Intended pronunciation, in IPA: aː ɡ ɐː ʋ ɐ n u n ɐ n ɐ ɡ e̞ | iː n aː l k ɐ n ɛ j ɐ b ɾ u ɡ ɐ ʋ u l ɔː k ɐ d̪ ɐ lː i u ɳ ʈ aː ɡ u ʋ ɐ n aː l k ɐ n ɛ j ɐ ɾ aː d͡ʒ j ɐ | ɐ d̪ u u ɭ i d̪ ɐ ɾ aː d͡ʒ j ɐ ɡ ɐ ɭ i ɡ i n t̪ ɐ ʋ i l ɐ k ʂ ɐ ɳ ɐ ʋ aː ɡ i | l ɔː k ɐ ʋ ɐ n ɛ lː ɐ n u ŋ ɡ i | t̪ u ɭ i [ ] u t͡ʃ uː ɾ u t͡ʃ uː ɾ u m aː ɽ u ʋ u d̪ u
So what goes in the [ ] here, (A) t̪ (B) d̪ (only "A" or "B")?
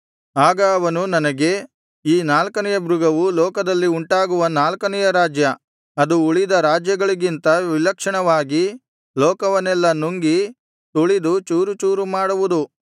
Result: B